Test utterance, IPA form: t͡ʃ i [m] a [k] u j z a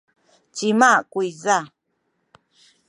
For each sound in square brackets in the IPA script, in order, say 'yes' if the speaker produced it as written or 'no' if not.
yes, yes

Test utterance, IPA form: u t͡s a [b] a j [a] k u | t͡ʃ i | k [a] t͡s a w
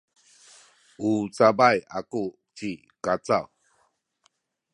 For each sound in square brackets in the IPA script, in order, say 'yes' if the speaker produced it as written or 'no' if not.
yes, yes, yes

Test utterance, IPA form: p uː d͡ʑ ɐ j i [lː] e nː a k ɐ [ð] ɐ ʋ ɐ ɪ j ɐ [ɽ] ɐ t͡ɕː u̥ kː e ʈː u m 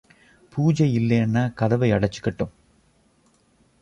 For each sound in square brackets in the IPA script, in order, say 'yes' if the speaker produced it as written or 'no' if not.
yes, yes, yes

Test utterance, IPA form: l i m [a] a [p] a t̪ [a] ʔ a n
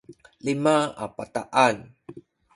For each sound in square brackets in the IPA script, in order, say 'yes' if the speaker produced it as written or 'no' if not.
yes, yes, yes

